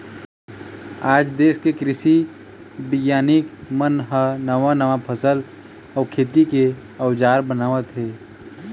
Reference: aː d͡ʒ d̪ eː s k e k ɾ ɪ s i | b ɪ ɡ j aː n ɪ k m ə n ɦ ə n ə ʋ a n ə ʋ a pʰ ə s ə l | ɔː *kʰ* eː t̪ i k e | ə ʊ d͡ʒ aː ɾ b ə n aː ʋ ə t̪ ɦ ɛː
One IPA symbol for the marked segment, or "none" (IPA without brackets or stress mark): kʰ